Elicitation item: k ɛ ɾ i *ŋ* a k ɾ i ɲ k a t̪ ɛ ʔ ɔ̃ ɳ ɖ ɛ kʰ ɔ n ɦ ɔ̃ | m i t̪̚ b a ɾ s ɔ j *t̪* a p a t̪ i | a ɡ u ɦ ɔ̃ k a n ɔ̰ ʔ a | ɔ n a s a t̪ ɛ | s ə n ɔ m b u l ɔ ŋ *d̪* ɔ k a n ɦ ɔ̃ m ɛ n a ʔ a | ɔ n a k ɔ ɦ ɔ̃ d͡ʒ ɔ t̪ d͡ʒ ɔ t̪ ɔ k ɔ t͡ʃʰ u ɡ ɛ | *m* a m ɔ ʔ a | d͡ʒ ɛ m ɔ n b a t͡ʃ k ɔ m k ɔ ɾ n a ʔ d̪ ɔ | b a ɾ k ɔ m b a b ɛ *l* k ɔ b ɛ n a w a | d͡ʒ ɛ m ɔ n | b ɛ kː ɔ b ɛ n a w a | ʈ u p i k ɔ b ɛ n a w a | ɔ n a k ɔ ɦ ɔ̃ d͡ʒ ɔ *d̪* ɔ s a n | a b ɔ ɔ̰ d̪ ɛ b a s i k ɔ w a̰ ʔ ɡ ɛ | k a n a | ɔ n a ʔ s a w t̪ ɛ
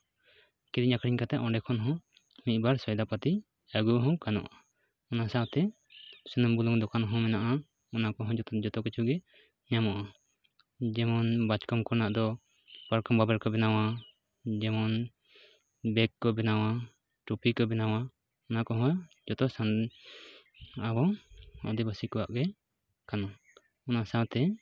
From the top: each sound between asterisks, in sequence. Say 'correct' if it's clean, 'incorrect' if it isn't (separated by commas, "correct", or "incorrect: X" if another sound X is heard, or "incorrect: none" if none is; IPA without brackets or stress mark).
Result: incorrect: ɲ, incorrect: d̪, correct, incorrect: ɲ, incorrect: ɾ, incorrect: t̪